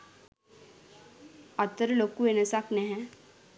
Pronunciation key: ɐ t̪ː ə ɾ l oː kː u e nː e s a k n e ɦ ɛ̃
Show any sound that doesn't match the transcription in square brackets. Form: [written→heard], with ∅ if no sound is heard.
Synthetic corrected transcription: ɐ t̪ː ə ɾ l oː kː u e [nː→n] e s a k n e ɦ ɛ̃